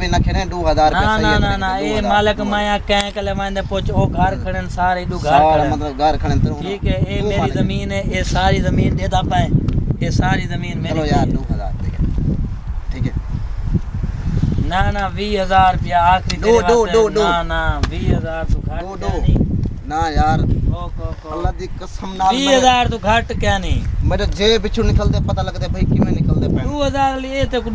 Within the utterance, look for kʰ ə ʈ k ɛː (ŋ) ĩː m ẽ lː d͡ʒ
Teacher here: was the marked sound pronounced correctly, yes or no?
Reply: no